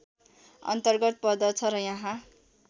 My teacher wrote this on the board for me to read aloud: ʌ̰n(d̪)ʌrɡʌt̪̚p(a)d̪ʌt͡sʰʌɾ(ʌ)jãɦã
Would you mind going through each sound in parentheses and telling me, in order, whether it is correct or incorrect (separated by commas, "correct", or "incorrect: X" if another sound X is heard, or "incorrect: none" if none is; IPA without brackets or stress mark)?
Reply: incorrect: t̪, incorrect: ʌ, correct